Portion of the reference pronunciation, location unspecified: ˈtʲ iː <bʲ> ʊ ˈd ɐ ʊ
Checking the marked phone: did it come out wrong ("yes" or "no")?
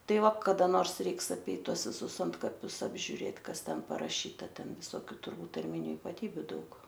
no